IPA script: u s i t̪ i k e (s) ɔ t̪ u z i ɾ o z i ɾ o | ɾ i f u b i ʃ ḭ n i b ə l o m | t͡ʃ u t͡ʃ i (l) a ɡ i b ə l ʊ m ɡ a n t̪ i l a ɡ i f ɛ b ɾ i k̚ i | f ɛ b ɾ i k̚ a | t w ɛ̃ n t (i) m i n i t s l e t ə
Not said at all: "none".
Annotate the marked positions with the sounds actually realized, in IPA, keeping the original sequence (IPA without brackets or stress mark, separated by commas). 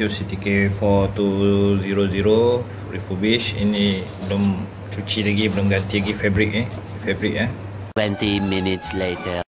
f, l, i